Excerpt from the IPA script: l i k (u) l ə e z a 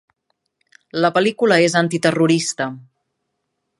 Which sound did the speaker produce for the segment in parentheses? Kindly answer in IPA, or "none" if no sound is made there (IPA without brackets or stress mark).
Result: u